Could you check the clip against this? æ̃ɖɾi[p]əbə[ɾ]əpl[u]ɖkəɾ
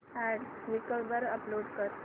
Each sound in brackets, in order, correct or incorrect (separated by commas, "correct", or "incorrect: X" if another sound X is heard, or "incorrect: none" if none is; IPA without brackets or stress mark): incorrect: k, correct, incorrect: o